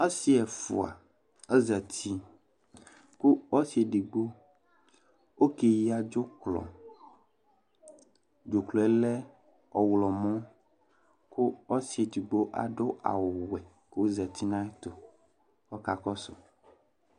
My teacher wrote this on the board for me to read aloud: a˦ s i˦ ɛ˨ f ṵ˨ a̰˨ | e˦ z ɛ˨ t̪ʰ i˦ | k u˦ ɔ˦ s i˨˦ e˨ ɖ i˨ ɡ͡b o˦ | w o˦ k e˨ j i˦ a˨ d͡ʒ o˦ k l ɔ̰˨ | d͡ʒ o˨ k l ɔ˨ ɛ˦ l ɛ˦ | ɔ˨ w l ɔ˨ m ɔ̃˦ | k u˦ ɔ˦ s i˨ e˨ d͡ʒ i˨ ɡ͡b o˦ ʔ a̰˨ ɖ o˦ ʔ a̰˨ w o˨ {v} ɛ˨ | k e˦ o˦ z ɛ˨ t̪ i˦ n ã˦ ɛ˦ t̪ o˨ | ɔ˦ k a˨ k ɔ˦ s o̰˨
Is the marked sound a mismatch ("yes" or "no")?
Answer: yes